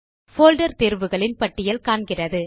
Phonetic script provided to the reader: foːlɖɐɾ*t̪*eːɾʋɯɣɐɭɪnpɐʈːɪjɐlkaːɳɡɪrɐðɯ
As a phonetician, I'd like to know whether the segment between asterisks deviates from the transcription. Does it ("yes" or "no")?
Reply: no